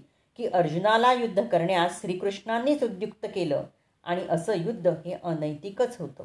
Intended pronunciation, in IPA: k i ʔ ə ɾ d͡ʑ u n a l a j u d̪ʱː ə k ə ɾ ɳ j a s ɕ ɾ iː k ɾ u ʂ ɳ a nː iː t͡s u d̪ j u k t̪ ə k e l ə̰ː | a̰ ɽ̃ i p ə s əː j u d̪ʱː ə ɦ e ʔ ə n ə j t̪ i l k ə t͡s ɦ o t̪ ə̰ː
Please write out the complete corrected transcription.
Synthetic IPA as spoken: k iː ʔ ə ɾ d͡ʑ u n a l a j u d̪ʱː ə k ə ɾ ɳ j a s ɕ ɾ iː k ɾ u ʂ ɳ a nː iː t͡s u d̪ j u k t̪ ə k e l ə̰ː | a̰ ɽ̃ i ʔ ə s əː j u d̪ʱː ə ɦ e ʔ ə n ə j t̪ i k ə t͡s ɦ o t̪ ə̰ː